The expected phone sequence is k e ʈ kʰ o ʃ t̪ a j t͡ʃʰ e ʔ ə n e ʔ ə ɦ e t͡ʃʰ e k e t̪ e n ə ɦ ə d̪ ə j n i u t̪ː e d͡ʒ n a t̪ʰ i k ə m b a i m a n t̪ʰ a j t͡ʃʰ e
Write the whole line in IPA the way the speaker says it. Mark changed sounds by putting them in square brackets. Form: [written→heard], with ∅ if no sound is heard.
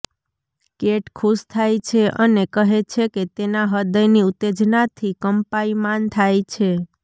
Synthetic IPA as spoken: k e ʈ kʰ [o→u] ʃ [t̪→t̪ʰ] a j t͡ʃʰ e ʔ ə n e [ʔ→k] ə ɦ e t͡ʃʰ e k e t̪ e n [ə→a] ɦ ə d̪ ə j n i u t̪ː e d͡ʒ n a t̪ʰ i k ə m [b→p] a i m a n t̪ʰ a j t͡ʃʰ e